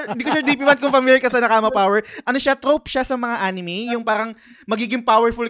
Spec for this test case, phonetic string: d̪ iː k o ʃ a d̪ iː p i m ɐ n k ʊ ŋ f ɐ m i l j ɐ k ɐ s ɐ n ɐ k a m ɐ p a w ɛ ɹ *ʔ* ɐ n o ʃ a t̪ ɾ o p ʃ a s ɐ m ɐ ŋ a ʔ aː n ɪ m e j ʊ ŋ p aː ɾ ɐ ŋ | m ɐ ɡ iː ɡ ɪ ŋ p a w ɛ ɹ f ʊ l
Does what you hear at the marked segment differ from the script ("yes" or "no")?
no